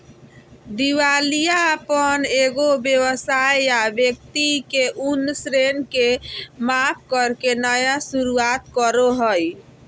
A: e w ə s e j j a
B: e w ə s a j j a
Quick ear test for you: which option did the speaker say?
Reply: B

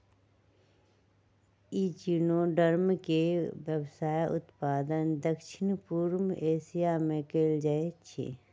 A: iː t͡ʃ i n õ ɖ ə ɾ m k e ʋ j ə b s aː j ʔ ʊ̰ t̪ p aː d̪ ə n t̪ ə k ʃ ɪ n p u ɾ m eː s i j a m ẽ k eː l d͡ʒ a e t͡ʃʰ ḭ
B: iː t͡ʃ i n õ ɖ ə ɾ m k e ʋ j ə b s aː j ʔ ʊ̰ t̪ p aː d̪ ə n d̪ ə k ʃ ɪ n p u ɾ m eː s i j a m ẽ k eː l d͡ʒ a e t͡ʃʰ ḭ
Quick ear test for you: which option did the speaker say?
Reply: B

